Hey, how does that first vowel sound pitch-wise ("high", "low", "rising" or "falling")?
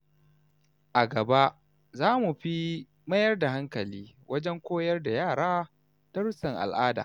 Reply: low